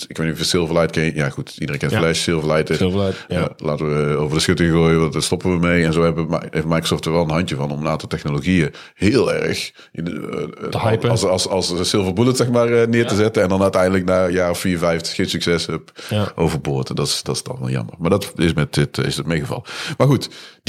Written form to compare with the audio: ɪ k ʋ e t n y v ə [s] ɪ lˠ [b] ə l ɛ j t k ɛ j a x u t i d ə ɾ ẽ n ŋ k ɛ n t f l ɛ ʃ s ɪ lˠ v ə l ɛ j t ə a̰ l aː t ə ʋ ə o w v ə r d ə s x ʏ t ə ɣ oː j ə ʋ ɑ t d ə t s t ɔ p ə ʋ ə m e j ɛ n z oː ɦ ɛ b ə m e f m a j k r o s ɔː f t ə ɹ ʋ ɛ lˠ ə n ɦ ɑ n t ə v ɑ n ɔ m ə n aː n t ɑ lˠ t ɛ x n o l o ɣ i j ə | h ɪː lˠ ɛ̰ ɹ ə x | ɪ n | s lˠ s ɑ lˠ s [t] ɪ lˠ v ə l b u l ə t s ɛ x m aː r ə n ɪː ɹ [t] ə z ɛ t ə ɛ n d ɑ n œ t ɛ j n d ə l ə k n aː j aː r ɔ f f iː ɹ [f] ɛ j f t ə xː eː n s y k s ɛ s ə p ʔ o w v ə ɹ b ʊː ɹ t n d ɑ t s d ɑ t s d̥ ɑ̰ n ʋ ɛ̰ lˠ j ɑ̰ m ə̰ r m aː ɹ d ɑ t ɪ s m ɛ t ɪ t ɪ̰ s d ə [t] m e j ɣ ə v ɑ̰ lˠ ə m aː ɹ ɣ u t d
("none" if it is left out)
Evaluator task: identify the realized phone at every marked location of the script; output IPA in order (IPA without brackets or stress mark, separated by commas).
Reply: s, v, s, t, v, t